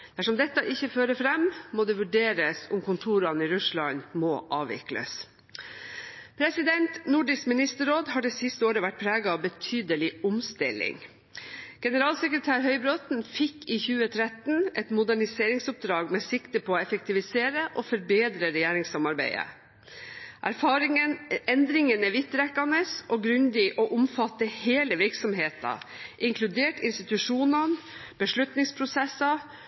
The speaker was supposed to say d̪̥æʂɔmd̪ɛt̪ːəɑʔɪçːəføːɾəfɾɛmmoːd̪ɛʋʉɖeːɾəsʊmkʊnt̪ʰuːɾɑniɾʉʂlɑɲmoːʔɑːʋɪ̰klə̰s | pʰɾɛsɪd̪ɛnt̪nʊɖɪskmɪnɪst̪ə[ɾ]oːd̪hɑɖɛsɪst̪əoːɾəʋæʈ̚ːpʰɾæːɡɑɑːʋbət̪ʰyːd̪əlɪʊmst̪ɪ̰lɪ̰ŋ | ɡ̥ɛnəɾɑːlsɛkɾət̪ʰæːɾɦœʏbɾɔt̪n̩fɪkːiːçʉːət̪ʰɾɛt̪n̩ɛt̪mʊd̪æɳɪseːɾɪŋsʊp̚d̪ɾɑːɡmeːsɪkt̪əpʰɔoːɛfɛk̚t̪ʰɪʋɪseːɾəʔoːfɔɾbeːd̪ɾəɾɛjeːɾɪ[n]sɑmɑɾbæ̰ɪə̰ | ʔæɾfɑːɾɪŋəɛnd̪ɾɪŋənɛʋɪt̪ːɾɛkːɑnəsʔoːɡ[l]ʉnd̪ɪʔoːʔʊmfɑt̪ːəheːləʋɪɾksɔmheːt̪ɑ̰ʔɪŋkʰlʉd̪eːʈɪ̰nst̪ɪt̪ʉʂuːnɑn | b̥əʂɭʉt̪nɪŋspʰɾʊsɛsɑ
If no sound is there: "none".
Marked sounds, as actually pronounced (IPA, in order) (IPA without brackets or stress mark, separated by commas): ɾ, ŋ, ɾ